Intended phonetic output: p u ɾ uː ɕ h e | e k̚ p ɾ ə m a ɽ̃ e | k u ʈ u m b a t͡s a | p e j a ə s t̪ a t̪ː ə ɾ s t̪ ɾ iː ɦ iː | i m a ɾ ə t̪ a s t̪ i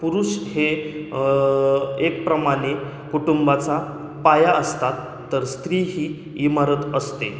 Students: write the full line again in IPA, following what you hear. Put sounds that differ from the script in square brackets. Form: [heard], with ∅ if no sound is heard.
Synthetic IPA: p u ɾ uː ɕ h e | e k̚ p ɾ ə m a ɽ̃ e | k u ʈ u m b a t͡s a | p [a] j a ə s t̪ a t̪ː ə ɾ s t̪ ɾ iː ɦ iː | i m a ɾ ə t̪ [ə] s t̪ [e]